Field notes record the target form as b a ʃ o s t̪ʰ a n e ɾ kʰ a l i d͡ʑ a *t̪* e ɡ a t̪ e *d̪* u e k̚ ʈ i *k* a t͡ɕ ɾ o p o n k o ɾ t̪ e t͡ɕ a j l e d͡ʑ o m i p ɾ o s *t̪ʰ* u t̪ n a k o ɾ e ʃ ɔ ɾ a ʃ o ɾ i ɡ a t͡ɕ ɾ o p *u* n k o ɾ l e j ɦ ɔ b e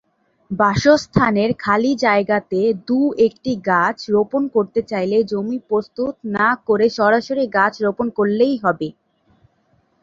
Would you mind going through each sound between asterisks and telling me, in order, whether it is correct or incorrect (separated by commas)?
incorrect, correct, incorrect, incorrect, incorrect